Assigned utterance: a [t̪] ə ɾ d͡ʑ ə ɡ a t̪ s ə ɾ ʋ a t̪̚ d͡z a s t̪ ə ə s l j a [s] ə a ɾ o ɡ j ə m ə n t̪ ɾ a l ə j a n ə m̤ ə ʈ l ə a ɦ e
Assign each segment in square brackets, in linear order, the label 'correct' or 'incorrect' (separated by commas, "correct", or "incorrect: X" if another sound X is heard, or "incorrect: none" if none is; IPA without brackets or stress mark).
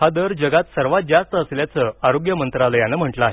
incorrect: d̪, incorrect: t͡s